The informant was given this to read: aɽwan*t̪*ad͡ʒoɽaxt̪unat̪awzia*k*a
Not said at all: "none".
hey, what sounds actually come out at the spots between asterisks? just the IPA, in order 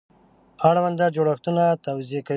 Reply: d̪, k

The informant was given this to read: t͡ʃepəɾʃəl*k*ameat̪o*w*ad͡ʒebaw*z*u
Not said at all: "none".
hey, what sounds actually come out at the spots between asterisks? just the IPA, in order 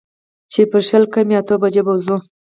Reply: k, b, z

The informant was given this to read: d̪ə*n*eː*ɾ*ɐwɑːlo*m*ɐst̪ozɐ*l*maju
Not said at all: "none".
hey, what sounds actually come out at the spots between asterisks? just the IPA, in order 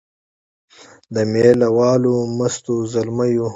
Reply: m, l, m, l

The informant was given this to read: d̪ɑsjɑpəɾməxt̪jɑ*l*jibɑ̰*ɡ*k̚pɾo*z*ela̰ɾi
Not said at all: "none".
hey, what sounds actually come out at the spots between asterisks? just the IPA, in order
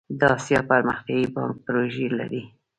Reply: none, ŋ, ʒ

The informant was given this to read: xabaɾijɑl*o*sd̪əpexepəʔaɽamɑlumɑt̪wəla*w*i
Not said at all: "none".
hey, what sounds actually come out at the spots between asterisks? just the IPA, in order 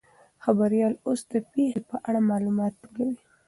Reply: o, w

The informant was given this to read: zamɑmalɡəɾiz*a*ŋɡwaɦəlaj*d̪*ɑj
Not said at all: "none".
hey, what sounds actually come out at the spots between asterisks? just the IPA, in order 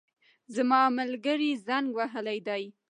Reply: a, d̪

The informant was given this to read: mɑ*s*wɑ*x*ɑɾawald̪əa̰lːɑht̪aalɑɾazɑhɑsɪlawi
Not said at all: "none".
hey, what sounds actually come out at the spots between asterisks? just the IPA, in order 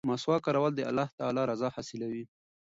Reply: s, k

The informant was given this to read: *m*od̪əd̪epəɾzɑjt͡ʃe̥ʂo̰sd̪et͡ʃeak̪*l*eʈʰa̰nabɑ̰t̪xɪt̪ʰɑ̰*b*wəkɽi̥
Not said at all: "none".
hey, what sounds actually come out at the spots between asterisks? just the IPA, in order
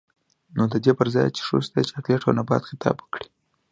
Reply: n, l, b

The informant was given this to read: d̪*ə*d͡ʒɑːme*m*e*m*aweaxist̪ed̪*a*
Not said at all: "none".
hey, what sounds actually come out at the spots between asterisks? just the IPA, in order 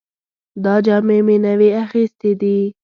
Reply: ɑ, m, n, i

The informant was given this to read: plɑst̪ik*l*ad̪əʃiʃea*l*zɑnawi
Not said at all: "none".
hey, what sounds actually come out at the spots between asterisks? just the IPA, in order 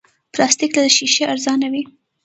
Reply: l, ɾ

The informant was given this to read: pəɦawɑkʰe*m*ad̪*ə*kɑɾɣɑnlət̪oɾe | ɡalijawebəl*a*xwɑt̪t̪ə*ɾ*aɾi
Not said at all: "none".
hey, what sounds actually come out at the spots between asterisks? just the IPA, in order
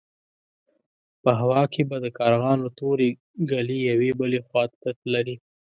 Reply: b, ə, e, l

